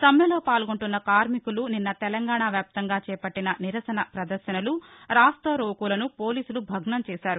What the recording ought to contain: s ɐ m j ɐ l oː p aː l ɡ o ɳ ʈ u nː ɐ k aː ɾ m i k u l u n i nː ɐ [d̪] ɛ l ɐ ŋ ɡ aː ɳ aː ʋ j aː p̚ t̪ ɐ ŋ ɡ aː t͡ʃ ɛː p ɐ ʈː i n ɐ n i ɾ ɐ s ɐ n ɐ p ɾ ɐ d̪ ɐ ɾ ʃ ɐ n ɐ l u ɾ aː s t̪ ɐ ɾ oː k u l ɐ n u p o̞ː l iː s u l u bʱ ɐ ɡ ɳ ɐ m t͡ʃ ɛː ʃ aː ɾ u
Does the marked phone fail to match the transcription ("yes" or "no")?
yes